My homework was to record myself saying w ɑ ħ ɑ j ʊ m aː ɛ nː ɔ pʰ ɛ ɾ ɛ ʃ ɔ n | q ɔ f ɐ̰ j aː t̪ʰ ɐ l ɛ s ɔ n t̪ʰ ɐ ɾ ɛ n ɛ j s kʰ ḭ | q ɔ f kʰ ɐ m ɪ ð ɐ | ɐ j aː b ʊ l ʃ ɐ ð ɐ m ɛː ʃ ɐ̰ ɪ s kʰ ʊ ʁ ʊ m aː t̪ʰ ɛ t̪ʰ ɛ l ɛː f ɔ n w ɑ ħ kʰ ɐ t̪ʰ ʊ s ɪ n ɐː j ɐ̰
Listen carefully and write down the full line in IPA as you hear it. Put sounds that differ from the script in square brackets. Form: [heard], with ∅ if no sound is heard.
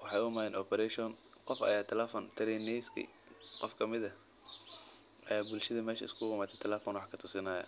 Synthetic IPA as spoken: w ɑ ħ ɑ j ʊ m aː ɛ [n] ɔ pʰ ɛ ɾ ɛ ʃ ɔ n | q ɔ f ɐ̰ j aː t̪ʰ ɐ l ɛ [f] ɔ n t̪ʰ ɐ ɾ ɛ n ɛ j s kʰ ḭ | q ɔ f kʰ ɐ m ɪ ð ɐ | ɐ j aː b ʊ l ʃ ɐ ð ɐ m ɛː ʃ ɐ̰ ɪ s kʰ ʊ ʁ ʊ m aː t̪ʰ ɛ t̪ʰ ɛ l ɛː f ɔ n w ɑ ħ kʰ ɐ t̪ʰ ʊ s ɪ n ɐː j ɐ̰